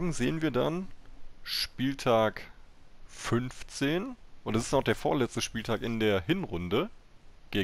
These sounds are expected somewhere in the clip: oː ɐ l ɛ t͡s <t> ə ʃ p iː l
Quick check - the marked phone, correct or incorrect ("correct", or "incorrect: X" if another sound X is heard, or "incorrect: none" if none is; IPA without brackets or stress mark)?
correct